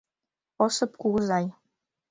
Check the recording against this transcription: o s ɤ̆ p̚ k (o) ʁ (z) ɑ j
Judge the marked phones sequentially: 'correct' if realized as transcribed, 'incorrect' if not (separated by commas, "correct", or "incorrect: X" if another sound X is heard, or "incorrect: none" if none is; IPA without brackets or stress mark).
incorrect: u, correct